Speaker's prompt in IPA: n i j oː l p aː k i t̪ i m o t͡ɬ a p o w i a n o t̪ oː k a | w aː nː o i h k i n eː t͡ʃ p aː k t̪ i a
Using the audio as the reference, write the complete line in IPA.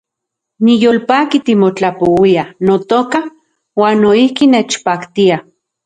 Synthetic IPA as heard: n i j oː l p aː k i t̪ i m o t͡ɬ a p o w i a n o t̪ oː k a | w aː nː o i h k i n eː t͡ʃ p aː k t̪ i a